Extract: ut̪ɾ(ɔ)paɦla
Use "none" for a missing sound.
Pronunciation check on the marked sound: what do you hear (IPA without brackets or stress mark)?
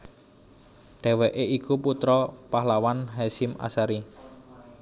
ɔ